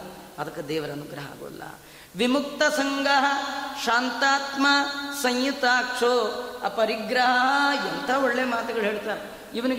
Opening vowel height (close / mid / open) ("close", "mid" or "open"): open